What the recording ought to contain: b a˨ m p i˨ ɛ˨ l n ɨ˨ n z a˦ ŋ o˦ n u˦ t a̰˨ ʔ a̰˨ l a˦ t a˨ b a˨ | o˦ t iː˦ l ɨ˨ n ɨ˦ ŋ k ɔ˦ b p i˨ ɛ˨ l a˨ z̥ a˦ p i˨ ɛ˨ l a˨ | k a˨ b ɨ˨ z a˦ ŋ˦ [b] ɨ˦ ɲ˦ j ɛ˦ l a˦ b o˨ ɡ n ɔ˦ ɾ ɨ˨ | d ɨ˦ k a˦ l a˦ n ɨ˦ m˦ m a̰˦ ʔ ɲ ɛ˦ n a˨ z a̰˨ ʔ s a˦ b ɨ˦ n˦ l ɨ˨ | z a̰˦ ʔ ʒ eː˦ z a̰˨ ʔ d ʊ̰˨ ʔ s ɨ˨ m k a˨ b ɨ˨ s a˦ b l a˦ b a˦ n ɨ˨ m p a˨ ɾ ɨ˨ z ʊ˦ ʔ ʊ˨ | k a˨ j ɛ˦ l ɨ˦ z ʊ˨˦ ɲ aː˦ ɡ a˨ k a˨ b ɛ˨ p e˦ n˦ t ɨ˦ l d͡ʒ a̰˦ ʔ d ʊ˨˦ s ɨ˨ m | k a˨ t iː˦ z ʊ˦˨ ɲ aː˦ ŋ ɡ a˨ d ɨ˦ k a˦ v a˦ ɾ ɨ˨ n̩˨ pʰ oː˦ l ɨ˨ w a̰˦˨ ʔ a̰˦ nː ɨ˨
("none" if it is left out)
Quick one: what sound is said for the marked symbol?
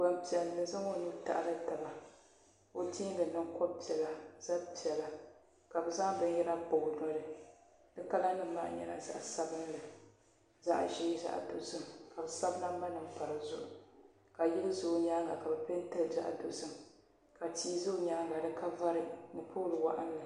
b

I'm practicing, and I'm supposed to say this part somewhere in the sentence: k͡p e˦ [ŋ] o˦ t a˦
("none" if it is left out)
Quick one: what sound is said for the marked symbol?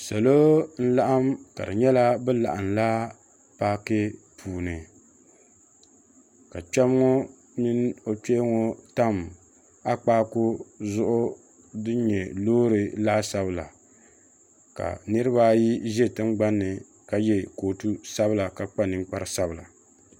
ŋ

